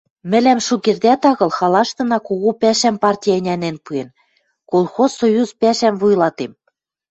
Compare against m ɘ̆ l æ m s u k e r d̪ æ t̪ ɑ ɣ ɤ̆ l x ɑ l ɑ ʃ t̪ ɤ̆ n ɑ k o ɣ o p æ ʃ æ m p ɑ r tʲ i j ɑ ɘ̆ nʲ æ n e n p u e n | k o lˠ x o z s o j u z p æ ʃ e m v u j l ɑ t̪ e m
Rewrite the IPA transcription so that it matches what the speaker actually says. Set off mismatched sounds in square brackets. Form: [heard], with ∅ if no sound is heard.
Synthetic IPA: m ɘ̆ l æ m [ʃ] u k e r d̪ æ t̪ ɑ ɣ ɤ̆ l x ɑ l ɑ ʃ t̪ ɤ̆ n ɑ k o ɣ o p æ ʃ æ m p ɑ r tʲ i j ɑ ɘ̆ nʲ æ n e n p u e n | k o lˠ x o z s o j u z p æ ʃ [æ] m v u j l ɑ t̪ e m